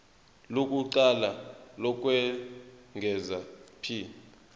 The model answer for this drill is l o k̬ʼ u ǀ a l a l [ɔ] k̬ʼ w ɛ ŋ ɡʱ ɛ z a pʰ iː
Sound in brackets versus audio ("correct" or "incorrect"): correct